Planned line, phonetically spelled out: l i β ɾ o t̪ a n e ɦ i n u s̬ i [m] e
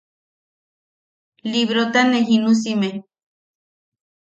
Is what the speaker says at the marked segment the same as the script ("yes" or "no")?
yes